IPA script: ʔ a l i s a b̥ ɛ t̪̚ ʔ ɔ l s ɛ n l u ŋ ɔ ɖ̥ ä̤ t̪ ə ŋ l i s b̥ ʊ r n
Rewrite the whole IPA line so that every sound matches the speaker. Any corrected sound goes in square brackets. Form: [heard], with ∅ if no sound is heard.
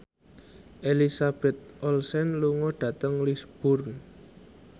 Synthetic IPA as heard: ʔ [e] l i s a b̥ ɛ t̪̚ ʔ ɔ l s ɛ n l u ŋ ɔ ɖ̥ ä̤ t̪ ə ŋ l i s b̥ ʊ r n